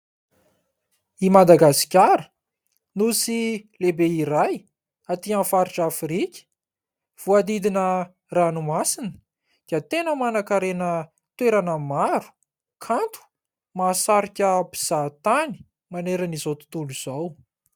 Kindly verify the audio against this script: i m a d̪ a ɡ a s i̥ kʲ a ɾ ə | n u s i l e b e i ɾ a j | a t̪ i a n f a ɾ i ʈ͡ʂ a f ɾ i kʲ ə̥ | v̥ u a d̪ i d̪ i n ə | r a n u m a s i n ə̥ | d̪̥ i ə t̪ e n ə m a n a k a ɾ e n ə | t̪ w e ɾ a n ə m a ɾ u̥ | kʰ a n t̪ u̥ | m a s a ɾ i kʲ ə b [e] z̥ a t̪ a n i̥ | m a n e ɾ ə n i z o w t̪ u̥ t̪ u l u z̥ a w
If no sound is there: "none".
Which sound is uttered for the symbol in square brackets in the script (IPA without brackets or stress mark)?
i